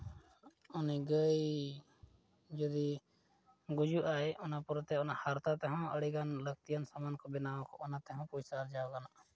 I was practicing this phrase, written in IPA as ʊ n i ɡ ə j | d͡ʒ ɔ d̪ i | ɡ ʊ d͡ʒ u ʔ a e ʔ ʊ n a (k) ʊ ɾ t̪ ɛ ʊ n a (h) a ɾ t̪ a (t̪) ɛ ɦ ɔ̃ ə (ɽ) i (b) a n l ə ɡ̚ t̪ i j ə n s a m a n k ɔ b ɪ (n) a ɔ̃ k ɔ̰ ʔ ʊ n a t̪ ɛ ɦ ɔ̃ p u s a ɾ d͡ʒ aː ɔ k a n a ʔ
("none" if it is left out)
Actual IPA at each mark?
p, h, t̪, ɽ, ɡ, n

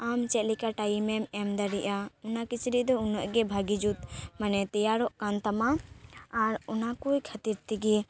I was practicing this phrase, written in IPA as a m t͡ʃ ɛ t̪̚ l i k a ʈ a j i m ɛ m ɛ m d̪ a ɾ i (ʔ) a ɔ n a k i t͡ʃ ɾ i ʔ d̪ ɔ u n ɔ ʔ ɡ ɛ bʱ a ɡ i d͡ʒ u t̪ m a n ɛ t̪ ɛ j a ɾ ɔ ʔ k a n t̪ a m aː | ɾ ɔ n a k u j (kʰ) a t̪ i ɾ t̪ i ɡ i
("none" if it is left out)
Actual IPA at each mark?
ʔ, kʰ

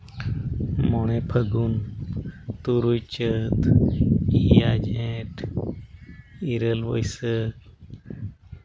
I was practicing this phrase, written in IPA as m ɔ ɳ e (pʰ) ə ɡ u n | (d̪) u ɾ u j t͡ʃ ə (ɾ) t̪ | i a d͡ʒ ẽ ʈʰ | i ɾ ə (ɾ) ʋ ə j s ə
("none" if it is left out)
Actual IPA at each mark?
pʰ, t̪, none, l

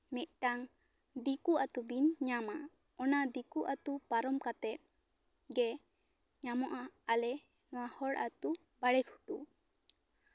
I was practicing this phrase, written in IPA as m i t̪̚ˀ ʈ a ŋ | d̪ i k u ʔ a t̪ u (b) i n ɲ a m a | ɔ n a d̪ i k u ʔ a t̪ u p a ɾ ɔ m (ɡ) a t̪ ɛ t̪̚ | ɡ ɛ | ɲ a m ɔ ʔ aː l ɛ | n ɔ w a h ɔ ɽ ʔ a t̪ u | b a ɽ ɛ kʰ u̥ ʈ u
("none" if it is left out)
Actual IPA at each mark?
b, k

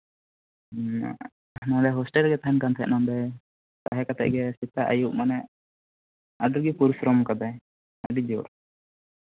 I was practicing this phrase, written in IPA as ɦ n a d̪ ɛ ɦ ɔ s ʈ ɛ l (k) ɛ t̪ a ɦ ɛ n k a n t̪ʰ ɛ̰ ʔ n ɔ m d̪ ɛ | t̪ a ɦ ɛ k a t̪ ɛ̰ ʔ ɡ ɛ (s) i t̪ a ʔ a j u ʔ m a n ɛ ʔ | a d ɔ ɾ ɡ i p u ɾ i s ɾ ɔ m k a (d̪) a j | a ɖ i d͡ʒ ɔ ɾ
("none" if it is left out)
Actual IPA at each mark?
ɡ, s, d̪

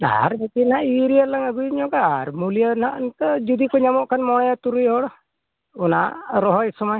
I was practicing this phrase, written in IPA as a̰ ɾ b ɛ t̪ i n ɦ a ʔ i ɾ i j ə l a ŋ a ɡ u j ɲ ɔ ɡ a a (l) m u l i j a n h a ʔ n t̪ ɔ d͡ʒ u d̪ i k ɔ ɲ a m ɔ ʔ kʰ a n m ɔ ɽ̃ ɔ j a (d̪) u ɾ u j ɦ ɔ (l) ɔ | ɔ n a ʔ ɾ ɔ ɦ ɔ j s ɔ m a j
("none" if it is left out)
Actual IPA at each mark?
ɾ, t̪, ɽ

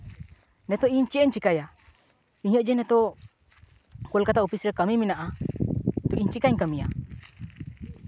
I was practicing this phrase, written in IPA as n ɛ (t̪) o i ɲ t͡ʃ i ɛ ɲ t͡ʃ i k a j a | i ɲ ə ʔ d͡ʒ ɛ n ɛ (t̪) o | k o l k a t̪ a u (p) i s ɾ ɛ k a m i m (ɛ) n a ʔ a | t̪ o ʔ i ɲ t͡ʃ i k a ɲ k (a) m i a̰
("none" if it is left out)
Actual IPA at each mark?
t̪, t̪, p, i, a

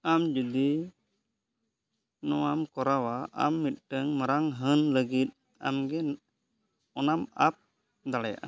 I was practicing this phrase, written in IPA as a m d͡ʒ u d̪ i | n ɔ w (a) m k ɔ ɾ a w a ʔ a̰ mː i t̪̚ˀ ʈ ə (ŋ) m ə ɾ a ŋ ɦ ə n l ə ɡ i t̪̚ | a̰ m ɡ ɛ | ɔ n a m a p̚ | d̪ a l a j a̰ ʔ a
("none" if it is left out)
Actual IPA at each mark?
a, ŋ

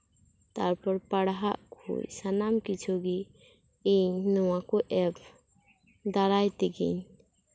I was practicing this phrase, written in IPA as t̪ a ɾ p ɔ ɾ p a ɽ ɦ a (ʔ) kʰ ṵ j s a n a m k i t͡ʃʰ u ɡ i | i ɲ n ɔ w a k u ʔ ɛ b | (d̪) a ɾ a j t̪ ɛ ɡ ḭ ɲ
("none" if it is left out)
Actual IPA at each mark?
ʔ, d̪

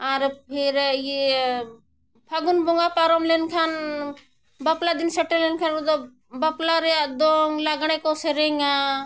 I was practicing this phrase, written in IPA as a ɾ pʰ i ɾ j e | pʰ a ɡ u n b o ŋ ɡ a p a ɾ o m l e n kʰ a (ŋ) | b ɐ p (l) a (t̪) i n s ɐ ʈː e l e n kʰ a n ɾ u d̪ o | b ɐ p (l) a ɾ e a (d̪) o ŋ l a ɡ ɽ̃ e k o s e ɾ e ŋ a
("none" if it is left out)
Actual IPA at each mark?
n, l, d̪, l, d̪

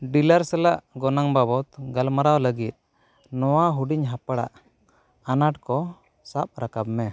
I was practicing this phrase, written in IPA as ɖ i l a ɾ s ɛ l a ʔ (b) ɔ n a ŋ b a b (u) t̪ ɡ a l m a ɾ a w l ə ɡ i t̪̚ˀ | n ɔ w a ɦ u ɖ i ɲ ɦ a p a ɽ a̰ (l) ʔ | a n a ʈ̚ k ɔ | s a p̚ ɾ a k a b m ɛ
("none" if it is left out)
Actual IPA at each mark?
ɡ, ɔ, none

